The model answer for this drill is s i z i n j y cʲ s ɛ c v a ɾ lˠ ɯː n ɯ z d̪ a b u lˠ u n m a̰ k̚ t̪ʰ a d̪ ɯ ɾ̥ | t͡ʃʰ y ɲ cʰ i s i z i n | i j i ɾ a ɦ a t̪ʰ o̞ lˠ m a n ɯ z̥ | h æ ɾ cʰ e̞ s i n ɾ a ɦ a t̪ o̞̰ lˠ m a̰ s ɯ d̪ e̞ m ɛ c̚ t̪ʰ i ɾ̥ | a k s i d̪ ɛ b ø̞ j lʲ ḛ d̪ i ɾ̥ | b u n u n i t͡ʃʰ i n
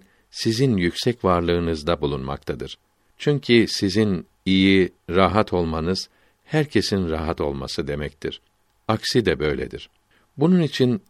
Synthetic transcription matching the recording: s i z i n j y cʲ s ɛ c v a ɾ lˠ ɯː n ɯ z d̪ a b u lˠ u n m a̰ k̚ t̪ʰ a d̪ ɯ ɾ̥ | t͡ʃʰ y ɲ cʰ i s i z i n | i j i ɾ a ɦ a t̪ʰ o̞ lˠ m a n ɯ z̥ | h æ ɾ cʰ e̞ s i n ɾ a ɦ a t̪ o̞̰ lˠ m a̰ s ɯ d̪ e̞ m ɛ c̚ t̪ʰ i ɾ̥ | a k s i d̪ ɛ b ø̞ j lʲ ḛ d̪ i ɾ̥ | b u n u n i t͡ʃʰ i n